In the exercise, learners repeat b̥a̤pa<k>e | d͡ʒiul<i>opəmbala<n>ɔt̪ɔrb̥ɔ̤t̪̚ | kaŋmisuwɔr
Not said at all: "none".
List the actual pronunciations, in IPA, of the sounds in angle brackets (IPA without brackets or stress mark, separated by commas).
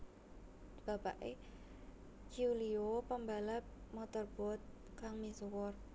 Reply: ʔ, i, m